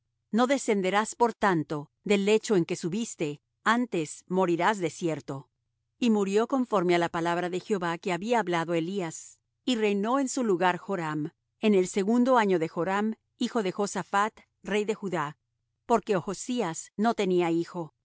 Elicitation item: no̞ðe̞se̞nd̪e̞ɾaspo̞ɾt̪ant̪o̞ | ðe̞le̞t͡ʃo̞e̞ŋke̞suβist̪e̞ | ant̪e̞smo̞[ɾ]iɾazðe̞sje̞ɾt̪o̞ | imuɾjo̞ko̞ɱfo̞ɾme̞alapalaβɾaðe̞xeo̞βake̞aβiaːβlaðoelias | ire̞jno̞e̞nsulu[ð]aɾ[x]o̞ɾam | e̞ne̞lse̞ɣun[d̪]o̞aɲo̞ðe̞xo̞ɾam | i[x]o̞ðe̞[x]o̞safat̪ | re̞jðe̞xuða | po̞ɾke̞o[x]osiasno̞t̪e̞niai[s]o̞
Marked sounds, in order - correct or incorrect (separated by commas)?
correct, incorrect, correct, correct, correct, correct, correct, incorrect